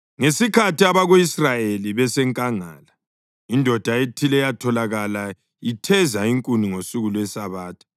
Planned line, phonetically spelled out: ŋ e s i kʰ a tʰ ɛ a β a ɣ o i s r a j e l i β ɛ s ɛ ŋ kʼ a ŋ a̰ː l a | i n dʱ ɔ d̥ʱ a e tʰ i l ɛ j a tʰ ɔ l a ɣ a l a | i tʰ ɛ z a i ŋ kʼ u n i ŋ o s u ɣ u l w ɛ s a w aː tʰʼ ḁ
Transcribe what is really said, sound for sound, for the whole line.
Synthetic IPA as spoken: ŋ e s i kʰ a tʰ i a β a ɣ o i s r a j e l i β ɛ s ɛ ŋ kʼ a ŋ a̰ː l a | i n dʱ ɔ d̥ʱ a e tʰ i l ɛ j a tʰ ɔ l a ɣ a l a | i tʰ ɛ z a i ŋ kʼ u n i ŋ o s u ɣ u l w ɛ s a β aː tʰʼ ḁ

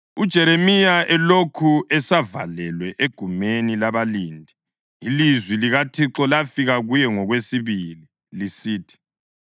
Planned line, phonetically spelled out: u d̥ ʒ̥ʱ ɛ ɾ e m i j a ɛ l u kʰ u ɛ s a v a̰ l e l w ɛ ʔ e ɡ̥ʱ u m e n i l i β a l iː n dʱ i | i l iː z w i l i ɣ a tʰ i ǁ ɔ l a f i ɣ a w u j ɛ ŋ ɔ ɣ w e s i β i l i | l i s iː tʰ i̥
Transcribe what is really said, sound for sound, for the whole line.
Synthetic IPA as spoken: u d̥ ʒ̥ʱ ɛ ɾ e m i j a ɛ l o kʰ u ɛ s a v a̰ l ɛ l w ɛ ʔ e ɡ̥ʱ u m e n i l a β a l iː n dʱ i | i l i z w i l i ɣ a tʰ i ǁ ɔ l a f i ɣ a ɣ u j ɛ ŋ ɔ ɣ w e s i β i l i | l i s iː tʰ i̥

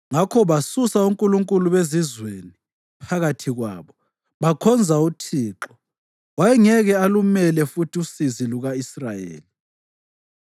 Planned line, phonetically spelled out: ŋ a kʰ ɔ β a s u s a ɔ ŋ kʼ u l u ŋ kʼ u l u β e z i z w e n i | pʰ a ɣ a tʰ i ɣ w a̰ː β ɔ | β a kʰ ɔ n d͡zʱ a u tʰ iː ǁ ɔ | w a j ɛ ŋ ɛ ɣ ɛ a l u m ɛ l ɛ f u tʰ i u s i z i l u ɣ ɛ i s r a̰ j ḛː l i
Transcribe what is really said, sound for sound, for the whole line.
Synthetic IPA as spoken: ŋ a kʰ ɔ β a s u s a u ŋ kʼ u l u ŋ kʼ u l u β e z i z w e n i | pʰ a ɣ a tʰ i ɣ w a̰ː β ɔ | β a kʰ ɔ n d͡zʱ a u tʰ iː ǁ ɔ | w a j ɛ ŋ ɛ ɣ ɛ a l u m ɛ l ɛ f u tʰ i u s i z i l u ɣ a i s r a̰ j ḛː l i

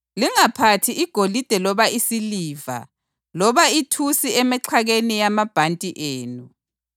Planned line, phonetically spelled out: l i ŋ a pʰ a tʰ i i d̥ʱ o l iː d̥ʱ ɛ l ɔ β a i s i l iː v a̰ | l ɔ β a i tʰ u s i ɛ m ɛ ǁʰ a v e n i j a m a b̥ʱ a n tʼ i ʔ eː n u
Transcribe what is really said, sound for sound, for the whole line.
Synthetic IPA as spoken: l i ŋ a pʰ a tʰ i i ɡ̥ʱ o l i d̥ʱ ɛ l ɔ β a i s i l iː v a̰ | l ɔ β a i tʰ u s i ɛ m ɛ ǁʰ a ɣ e n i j a m a b̥ʱ a n tʼ i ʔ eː n u

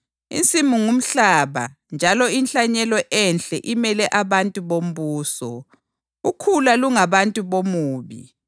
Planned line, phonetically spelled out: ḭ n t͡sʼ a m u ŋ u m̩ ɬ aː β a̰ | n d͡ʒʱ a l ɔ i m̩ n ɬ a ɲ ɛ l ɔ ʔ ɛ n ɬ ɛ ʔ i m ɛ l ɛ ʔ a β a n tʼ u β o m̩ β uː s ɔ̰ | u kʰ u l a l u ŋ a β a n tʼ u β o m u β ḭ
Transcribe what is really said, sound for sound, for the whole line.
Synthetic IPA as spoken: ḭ n t͡sʼ i m u ŋ u m̩ ɬ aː β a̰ | n d͡ʒʱ a l ɔ i n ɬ a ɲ ɛ l ɔ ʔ ɛ n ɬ ɛ ʔ i m ɛ l ɛ ʔ a β a n tʼ u β o m̩ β uː s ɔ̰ | u kʰ u l a l u ŋ a β a n tʼ u β o m uː β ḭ

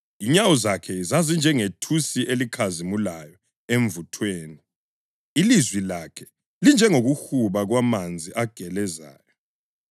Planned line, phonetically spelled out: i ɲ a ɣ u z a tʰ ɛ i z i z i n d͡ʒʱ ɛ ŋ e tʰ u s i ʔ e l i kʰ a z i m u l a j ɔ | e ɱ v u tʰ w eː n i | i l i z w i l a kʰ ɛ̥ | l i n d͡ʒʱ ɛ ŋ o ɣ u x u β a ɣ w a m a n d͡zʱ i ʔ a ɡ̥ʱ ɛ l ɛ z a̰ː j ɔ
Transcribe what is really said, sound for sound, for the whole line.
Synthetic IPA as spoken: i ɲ a w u z a kʰ ɛ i z a z i n d͡ʒʱ ɛ ŋ e tʰ u s i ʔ e l i kʰ a z i m u l a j ɔ | e ɱ v u tʰ w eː n i | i l i z w i l a kʰ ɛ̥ | l i n d͡ʒʱ ɛ ŋ o ɣ u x u β a ɣ w a m a n d͡zʱ i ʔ a ɡ̥ʱ ɛ l ɛ z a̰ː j ɔ

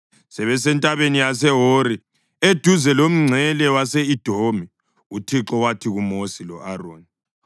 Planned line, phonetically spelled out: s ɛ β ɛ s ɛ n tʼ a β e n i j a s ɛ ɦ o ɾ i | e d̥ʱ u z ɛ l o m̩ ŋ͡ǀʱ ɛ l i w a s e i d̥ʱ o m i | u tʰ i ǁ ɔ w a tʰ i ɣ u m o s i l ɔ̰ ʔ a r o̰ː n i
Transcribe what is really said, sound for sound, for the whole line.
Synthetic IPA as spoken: s ɛ β ɛ s ɛ n tʼ a β e n i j a s ɛ ɦ o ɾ i | e d̥ʱ u z ɛ l o m̩ ŋ͡ǀʱ ɛ l ɛ w a s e i d̥ʱ o m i | u tʰ i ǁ ɔ w a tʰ i ɣ u m o s i l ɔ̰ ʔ a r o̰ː n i

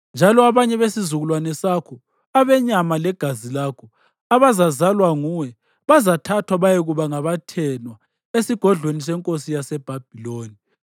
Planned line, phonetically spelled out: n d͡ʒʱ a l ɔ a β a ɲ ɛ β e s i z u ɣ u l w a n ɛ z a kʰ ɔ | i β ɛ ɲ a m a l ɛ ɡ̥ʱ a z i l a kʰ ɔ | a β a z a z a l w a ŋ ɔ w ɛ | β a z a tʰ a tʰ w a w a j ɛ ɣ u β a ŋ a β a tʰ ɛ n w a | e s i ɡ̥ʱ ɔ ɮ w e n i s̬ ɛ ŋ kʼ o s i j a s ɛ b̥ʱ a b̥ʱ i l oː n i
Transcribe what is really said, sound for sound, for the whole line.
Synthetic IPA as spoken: n d͡ʒʱ a l ɔ a β a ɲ ɛ β e s i z u ɣ u l w a n ɛ s a kʰ ɔ | a β ɛ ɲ a m a l ɛ ɡ̥ʱ a z i l a kʰ ɔ | a β a z a z a l w a ŋ u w ɛ | β a z a tʰ a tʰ w a β a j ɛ ɣ u β a ŋ a β a tʰ ɛ n w a | e s i ɡ̥ʱ ɔ ɮ w e n i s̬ ɛ ŋ kʼ o s i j a s ɛ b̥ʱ a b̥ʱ i l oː n i

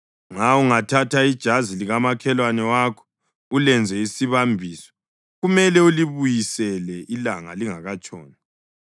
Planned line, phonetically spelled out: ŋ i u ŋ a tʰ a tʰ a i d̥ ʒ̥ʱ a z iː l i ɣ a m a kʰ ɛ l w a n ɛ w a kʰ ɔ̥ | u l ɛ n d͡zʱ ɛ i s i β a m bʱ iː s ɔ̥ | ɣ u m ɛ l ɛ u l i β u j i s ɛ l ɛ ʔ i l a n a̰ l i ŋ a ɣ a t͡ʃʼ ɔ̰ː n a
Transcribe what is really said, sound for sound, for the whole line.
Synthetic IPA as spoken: ŋ a u ŋ a tʰ a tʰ a i d̥ ʒ̥ʱ a z i l i ɣ a m a kʰ ɛ l w a n ɛ w a kʰ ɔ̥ | u l ɛ n d͡zʱ ɛ i s i β a m bʱ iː s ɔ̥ | ɣ u m ɛ l ɛ u l i β u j i s ɛ l ɛ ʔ i l a ŋ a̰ l i ŋ a ɣ a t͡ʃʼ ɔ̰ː n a

